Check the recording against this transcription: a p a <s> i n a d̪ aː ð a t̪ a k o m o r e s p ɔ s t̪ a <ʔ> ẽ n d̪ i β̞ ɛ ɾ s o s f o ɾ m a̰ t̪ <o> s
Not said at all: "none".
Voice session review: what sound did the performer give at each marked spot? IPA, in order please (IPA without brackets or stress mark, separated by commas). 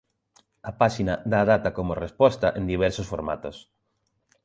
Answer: ʃ, ʔ, o